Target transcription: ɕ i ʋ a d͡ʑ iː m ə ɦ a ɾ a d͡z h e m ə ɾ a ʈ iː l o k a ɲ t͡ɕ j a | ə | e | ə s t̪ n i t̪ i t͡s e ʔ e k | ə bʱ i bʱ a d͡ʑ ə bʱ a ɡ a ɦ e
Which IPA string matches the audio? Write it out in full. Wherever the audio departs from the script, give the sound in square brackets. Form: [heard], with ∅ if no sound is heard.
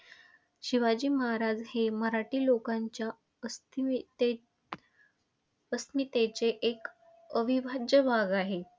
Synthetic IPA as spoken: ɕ i ʋ a d͡ʑ iː m ə ɦ a ɾ a d͡z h e m ə ɾ a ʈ iː l o k a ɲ t͡ɕ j a | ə | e | ə s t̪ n i t̪ [e] t͡s e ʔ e k | ə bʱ i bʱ a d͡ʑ ə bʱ a ɡ a ɦ e